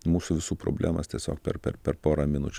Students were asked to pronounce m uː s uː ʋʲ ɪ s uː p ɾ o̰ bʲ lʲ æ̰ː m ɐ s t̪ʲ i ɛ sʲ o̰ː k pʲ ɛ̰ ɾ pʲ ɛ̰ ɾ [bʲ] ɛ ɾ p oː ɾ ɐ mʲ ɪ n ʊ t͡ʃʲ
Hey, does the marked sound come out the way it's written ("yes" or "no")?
no